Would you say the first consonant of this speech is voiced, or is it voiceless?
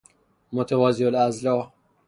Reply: voiced